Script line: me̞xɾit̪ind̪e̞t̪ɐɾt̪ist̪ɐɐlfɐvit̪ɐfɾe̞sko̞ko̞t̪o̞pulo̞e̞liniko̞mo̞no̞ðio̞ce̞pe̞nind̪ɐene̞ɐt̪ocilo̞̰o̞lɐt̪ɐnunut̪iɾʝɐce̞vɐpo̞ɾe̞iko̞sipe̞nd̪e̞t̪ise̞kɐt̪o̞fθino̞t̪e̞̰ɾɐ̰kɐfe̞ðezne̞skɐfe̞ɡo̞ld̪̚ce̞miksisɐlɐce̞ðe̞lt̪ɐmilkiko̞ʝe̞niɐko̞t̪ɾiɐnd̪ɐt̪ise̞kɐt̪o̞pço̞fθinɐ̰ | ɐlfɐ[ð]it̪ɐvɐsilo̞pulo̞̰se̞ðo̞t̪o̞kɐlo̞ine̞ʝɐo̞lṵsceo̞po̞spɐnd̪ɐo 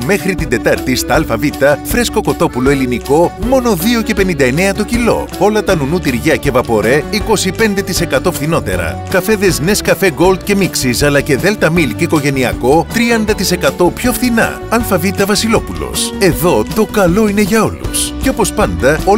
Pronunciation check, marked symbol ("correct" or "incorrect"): incorrect